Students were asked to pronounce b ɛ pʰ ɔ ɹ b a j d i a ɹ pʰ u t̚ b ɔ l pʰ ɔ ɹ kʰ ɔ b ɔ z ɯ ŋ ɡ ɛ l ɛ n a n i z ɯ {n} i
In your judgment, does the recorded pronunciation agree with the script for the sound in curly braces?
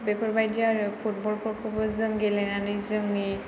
no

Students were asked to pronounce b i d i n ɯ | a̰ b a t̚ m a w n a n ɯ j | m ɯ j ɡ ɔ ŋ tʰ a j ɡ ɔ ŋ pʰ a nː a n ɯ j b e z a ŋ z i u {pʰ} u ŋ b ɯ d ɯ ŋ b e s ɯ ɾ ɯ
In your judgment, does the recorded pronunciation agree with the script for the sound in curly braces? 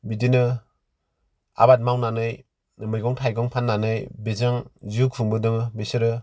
no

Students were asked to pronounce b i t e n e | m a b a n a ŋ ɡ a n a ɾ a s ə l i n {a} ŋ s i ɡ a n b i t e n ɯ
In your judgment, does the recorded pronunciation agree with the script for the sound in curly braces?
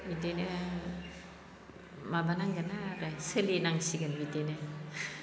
yes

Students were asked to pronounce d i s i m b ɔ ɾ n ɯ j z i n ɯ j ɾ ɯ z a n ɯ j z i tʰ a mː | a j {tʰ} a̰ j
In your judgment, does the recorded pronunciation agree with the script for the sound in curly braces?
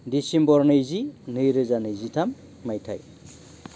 yes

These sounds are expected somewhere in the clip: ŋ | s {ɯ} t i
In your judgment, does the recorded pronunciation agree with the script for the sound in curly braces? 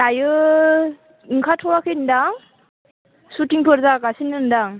no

